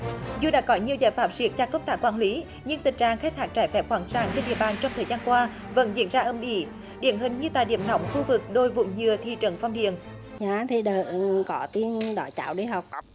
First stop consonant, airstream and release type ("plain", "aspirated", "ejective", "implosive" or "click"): implosive